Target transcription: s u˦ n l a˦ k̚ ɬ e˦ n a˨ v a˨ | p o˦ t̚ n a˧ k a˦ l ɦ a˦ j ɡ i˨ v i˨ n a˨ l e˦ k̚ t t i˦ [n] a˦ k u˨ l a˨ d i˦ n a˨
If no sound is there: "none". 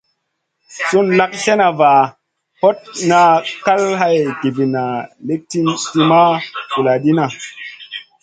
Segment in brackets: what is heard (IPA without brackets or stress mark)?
m